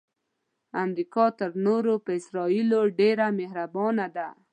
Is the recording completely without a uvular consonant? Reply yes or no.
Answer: yes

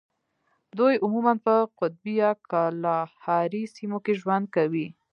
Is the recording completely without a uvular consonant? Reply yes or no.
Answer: no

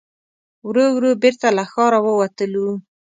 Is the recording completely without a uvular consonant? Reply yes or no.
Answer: yes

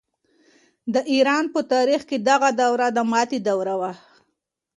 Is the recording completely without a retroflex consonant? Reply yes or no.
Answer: yes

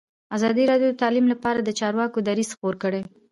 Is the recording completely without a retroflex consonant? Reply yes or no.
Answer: no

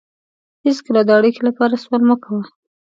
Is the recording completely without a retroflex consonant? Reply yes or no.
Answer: no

